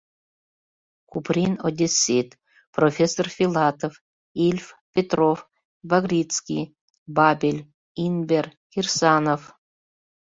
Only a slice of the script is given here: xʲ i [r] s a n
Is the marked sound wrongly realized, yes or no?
no